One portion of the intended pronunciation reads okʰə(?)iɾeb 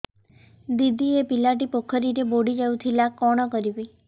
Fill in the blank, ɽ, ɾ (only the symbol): ɾ